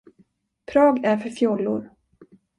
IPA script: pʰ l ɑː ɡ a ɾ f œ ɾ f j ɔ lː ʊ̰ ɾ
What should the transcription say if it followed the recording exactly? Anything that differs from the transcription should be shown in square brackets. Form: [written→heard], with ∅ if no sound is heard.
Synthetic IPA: pʰ [l→ɾ] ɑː ɡ [a→æ] ɾ f œ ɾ f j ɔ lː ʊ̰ ɾ